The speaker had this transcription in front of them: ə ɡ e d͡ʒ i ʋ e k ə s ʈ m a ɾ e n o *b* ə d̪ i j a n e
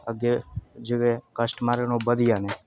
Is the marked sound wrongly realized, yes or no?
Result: no